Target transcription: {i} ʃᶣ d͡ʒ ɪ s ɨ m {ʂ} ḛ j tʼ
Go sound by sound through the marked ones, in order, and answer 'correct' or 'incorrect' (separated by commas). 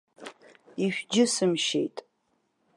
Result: correct, incorrect